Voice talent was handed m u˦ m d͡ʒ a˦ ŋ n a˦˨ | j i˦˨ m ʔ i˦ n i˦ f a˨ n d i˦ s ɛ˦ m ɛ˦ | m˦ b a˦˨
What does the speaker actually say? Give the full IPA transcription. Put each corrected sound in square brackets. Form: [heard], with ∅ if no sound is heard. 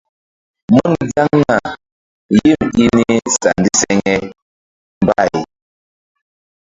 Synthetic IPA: m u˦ [n] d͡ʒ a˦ ŋ n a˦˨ | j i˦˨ m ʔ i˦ n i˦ [s] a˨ n d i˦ s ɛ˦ [ŋ] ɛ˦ | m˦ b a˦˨